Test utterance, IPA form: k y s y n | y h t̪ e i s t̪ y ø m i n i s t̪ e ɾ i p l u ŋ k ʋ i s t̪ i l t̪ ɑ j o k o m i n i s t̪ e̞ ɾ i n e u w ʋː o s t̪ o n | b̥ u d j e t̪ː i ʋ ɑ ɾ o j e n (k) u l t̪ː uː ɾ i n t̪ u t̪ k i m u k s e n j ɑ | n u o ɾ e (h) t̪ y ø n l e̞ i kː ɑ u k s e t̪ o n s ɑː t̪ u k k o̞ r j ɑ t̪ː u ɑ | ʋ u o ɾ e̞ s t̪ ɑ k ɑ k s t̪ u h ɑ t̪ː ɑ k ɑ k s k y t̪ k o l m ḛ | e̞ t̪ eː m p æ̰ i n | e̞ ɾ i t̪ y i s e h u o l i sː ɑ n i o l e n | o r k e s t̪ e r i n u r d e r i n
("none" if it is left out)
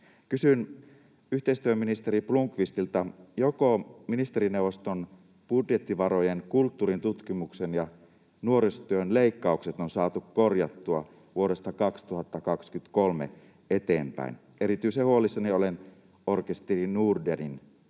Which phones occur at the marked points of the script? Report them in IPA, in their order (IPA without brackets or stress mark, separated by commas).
k, s